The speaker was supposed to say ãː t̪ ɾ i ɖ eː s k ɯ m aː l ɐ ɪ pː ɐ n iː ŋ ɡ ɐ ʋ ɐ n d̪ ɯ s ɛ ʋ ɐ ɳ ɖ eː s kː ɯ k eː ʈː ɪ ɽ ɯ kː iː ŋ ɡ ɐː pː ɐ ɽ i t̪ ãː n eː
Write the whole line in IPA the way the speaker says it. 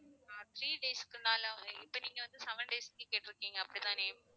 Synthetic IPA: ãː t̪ ɾ iː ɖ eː s k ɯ n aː l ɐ ɪ pː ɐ n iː ŋ ɡ ɐ ʋ ɐ n d̪ ɯ s ɛ ʋ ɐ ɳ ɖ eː s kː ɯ k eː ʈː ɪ ɾ ɯ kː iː ŋ ɡ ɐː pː ɐ ɽ i t̪ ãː n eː